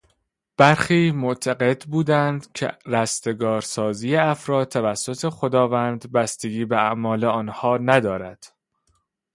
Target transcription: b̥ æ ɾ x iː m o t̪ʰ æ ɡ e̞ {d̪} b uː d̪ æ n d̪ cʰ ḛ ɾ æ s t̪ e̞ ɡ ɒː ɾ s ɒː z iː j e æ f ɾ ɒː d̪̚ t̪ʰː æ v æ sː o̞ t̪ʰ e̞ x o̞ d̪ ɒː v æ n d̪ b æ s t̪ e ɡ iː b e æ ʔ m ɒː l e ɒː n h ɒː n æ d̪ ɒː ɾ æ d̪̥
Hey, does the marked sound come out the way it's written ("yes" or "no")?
yes